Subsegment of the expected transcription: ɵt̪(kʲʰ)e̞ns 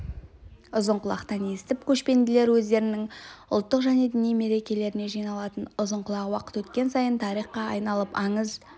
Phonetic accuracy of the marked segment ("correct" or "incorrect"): incorrect